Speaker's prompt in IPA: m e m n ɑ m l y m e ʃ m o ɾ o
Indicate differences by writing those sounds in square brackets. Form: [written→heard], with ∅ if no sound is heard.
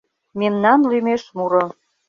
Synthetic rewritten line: m e m n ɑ [m→n] l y m e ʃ m [o→u] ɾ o

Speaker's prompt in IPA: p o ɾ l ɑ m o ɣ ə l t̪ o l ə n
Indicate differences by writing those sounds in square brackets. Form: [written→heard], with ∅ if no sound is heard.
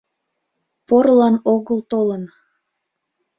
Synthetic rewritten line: p o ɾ l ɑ [m→n] o ɣ ə l t̪ o l ə n

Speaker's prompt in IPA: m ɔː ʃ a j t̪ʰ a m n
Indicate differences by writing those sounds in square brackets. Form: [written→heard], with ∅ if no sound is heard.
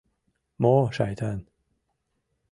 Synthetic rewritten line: m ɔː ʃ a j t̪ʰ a [m→∅] n

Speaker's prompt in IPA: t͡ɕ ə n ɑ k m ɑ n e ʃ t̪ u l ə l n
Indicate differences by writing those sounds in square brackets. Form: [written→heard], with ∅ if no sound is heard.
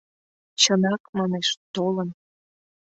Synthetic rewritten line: t͡ɕ ə n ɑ k m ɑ n e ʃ t̪ [u→o] l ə [l→∅] n

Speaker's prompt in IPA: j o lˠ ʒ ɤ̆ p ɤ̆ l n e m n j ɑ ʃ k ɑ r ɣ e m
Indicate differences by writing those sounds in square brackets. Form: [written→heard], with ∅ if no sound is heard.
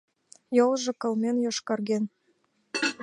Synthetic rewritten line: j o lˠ ʒ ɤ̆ [p→k] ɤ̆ l [n→m] e [m→∅] n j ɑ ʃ k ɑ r ɣ e [m→n]

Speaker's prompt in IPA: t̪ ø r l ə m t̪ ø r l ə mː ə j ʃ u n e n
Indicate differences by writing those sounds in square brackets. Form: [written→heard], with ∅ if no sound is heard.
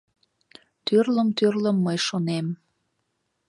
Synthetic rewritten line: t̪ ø r l ə m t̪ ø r l ə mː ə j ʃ [u→o] n e [n→m]

